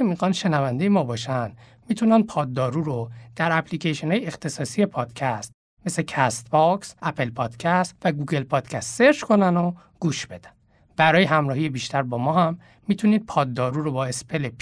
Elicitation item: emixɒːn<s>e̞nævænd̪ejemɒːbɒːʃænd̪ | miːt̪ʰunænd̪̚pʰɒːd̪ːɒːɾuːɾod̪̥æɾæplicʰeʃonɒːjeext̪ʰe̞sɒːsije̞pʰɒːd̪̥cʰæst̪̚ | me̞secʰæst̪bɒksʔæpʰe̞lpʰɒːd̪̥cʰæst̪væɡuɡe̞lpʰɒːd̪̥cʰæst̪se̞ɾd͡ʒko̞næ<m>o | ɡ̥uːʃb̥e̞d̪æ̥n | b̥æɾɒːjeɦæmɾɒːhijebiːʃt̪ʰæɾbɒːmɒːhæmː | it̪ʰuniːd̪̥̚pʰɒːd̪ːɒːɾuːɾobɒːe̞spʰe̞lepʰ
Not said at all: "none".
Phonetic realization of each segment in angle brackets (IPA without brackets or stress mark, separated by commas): ʃ, n